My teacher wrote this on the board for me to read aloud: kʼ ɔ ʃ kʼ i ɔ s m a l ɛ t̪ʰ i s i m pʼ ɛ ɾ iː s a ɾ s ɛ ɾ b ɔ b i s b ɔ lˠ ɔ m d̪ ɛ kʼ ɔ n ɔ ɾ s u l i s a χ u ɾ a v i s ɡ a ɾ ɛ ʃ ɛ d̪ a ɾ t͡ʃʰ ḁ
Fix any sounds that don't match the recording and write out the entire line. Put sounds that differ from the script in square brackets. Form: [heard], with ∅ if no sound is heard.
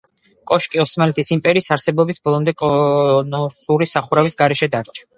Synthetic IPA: kʼ ɔ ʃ kʼ i ɔ s m a l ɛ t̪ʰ i s i m pʼ ɛ ɾ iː s a ɾ s ɛ [∅] b ɔ b i s b ɔ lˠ ɔ m d̪ ɛ kʼ ɔ n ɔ [∅] s u [ɾ] i s a χ u ɾ a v i s ɡ a ɾ ɛ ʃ ɛ d̪ a ɾ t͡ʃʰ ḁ